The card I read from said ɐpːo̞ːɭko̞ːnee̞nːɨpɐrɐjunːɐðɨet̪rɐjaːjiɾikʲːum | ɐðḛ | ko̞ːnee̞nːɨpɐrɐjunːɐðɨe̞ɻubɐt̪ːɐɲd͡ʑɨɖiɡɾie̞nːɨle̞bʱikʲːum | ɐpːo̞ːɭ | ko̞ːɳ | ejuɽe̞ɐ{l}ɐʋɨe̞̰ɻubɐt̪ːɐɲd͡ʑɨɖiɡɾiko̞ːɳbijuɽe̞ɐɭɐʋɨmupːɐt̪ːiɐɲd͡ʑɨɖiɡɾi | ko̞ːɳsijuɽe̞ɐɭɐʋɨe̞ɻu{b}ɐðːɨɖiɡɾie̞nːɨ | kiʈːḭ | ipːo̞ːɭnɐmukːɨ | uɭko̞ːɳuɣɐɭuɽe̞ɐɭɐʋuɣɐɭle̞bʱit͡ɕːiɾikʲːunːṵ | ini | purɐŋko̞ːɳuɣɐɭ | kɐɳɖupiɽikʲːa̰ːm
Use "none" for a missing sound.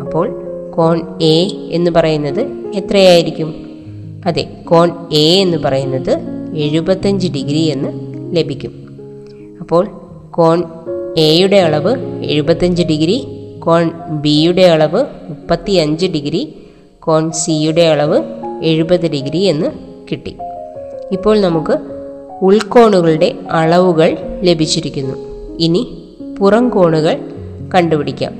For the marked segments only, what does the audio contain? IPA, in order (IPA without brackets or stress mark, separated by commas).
ɭ, b